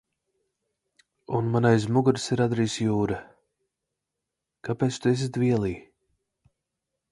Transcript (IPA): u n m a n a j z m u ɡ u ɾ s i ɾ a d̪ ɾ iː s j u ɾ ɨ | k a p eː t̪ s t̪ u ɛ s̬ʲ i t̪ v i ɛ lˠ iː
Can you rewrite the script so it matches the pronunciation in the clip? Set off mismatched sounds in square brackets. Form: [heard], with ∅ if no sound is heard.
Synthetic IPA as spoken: u n m a n a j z m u ɡ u ɾ s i ɾ a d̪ ɾ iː s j [uː] ɾ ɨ | k a p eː t̪ s t̪ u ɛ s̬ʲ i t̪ v i ɛ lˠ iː